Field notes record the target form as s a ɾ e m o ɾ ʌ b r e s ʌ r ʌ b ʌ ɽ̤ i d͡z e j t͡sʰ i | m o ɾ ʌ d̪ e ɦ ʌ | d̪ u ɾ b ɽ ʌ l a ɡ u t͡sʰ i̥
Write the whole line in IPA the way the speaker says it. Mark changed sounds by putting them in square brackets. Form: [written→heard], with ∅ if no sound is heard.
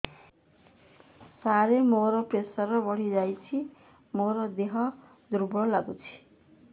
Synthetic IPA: s a ɾ e m o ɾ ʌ [b→p] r e s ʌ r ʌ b ʌ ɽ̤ i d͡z [e→a] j t͡sʰ i | m o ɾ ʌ d̪ e ɦ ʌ | d̪ u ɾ b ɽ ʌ l a ɡ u t͡sʰ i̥